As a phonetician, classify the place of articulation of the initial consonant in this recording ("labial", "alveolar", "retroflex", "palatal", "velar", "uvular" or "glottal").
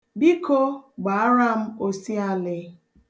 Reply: labial